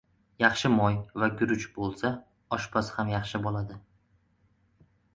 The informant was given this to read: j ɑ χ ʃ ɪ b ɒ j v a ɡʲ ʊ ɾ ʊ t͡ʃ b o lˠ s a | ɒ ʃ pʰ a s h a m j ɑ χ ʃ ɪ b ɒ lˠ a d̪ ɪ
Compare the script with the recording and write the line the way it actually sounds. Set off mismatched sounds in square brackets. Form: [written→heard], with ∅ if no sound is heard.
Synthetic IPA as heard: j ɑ χ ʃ ɪ [b→m] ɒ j v a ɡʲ ʊ ɾ ʊ t͡ʃ b o lˠ s a | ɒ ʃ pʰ a s h a m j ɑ χ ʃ ɪ b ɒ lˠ a d̪ ɪ